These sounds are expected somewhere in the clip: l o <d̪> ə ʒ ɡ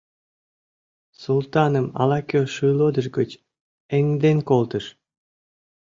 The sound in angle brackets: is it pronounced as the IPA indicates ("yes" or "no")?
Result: yes